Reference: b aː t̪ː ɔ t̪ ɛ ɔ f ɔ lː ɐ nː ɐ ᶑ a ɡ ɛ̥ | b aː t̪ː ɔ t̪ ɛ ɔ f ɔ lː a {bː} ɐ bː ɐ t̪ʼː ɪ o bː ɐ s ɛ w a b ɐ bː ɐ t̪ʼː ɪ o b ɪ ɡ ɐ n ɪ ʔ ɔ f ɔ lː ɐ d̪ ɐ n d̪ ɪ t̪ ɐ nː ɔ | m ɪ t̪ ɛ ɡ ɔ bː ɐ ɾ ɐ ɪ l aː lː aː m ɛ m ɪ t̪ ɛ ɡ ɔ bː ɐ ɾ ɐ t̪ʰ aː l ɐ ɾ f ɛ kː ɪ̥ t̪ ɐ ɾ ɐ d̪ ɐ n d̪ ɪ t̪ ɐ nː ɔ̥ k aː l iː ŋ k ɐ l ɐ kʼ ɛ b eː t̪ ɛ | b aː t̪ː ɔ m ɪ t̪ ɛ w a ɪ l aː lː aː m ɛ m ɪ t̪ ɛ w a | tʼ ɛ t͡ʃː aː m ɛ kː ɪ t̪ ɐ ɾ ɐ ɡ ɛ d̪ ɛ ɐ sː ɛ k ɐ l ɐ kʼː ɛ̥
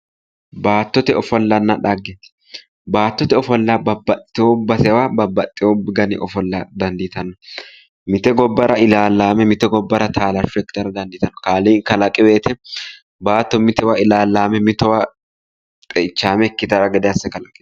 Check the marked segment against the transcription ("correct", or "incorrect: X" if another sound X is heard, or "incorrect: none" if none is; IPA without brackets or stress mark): incorrect: b